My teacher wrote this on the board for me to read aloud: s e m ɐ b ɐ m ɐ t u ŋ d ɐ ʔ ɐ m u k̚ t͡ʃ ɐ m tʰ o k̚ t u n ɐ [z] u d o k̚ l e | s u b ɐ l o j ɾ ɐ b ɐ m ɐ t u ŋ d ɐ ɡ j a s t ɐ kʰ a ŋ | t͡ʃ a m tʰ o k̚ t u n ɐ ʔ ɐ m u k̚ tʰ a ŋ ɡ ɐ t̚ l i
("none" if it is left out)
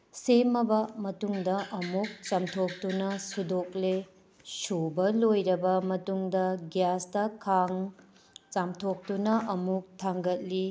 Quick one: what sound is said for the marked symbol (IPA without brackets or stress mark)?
s